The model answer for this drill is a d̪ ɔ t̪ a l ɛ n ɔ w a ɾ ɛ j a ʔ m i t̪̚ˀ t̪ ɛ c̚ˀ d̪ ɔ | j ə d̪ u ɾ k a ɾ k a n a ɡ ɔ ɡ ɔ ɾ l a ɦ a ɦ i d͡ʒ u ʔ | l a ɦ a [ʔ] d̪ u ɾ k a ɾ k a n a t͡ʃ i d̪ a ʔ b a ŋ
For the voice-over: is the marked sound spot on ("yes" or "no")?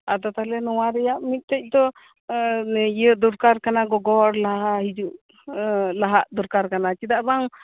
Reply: yes